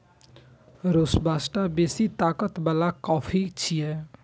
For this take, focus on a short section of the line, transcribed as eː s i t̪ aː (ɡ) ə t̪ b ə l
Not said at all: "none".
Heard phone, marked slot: k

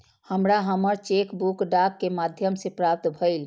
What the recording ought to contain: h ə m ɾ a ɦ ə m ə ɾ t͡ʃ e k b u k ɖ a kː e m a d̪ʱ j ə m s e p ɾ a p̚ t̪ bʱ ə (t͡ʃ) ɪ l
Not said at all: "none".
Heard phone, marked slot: none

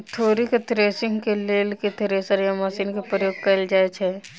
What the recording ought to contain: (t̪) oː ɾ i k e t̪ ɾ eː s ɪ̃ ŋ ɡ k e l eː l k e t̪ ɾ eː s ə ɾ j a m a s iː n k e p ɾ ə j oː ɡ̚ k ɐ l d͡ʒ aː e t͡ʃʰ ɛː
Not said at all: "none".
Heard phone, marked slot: t̪ʰ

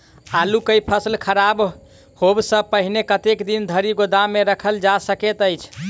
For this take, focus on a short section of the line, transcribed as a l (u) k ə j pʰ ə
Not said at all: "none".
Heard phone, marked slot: u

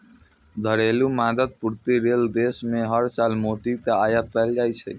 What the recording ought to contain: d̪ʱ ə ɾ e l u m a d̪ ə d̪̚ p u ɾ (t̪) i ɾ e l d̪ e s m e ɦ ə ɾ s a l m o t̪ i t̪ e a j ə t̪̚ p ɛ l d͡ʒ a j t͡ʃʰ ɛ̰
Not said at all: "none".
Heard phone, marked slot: t̪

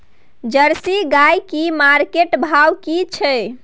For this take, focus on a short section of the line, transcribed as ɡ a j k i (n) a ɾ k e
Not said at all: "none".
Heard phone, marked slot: m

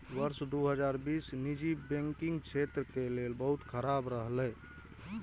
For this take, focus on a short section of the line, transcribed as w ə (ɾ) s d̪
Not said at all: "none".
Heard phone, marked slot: ɾ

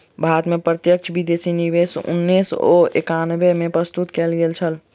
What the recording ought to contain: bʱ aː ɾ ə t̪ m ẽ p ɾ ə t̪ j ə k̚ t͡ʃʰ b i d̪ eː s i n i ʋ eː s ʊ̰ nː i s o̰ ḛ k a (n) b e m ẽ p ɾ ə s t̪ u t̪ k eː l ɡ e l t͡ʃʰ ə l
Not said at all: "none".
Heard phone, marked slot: n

